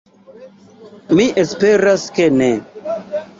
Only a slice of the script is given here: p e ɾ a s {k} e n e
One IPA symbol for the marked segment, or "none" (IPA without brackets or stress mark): k